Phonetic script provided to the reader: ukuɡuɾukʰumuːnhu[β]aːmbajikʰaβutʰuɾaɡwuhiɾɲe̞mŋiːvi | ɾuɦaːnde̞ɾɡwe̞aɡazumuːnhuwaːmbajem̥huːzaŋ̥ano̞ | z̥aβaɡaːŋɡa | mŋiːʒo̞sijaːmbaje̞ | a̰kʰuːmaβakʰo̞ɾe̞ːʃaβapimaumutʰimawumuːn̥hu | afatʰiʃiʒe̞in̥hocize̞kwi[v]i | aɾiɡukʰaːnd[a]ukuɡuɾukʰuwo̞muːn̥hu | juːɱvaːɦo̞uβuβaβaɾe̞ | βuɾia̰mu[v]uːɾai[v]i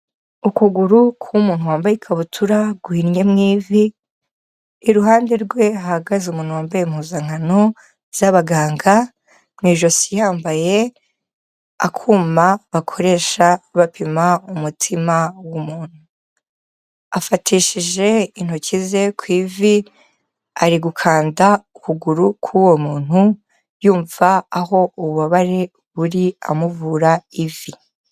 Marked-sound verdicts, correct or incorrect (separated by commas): incorrect, correct, correct, correct, correct